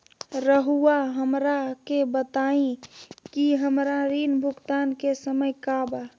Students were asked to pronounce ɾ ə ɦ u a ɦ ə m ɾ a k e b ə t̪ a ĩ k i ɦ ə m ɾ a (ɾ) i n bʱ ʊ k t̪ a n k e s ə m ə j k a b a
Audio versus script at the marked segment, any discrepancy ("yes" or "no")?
no